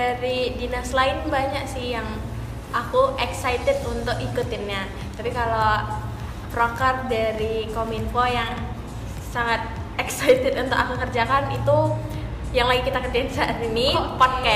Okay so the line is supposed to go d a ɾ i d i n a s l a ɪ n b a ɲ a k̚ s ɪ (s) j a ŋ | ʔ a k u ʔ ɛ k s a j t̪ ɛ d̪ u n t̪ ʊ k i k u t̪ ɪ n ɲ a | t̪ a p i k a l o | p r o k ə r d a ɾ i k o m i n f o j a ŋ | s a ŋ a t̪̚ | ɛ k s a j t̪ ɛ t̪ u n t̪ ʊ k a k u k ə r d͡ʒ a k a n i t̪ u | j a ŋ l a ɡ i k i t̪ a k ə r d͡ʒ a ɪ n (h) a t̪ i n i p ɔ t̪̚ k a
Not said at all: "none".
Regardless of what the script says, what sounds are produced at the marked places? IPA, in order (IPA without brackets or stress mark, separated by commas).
h, s